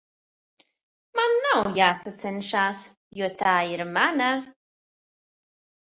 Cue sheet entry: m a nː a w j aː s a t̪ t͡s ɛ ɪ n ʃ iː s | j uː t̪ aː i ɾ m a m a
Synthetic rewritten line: m a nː a w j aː s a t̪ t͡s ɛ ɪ n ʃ aː s | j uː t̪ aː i ɾ m a n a